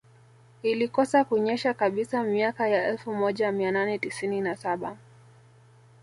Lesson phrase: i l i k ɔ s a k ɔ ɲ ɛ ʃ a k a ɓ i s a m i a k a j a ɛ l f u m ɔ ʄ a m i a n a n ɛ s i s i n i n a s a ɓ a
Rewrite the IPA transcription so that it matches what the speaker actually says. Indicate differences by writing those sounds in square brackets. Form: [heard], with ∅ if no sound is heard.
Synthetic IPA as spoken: i l i k ɔ s a k [u] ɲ ɛ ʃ a k a ɓ i s a m i a k a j a ɛ l f u m ɔ ʄ a m i a n a n ɛ [t] i s i n i n a s a ɓ a